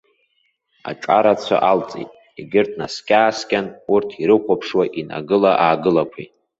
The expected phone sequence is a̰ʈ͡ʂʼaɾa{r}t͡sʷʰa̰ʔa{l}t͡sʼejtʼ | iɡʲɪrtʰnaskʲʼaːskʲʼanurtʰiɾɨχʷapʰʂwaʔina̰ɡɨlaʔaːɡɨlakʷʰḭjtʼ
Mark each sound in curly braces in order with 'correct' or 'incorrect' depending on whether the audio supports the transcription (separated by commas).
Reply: incorrect, correct